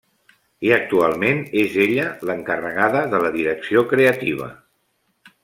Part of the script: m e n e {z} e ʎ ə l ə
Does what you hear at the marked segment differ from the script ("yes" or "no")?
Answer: no